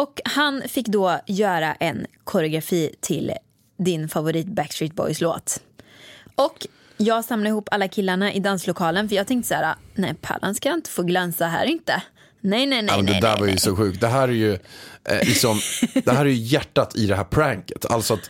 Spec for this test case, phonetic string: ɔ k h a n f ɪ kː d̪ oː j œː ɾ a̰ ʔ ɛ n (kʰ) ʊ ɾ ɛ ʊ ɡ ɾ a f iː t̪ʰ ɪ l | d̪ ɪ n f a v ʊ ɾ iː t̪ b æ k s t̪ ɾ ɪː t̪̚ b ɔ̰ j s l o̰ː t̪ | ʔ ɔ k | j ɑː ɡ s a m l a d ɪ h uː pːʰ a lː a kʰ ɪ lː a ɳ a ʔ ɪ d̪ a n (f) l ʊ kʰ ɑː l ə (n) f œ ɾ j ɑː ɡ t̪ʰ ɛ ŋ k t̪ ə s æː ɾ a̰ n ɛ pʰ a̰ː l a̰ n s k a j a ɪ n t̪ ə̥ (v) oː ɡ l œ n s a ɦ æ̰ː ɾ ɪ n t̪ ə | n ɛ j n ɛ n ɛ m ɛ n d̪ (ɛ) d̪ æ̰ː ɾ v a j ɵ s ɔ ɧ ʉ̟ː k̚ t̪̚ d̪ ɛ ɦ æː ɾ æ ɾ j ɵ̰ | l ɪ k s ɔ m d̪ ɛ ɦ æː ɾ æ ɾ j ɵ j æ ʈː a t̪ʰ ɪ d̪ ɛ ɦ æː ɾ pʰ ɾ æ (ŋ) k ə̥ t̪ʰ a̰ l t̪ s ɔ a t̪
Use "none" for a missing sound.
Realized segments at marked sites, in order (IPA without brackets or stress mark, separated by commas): kʰ, s, n, f, ɛ, ŋ